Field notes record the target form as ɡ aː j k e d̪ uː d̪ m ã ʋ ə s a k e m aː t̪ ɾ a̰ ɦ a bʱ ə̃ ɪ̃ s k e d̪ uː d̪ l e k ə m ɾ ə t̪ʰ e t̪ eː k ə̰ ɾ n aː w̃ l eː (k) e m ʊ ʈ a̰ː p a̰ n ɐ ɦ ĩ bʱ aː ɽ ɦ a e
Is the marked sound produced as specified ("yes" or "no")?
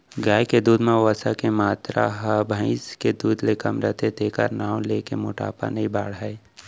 yes